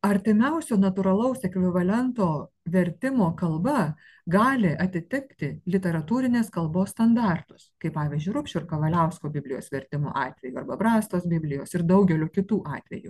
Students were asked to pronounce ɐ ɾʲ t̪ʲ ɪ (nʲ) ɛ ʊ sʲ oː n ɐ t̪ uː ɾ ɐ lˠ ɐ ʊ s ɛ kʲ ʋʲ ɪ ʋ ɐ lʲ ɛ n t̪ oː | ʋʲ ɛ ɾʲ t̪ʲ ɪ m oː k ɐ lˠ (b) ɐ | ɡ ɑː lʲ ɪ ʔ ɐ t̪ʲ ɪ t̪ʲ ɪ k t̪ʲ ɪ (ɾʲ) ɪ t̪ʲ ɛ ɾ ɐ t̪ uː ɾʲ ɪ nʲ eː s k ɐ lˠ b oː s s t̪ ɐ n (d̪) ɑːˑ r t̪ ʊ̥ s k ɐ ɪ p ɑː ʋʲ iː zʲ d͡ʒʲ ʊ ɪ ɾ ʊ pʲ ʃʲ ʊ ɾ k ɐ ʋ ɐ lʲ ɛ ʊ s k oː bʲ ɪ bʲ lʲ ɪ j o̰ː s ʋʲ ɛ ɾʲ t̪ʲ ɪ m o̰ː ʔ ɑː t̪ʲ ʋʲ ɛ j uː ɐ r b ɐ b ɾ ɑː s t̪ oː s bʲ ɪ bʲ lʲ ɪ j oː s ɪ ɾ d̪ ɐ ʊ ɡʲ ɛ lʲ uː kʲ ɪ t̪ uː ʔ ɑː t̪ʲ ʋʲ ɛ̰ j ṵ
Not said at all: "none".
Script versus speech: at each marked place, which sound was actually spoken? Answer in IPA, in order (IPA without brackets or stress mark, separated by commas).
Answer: mʲ, b, lʲ, d̪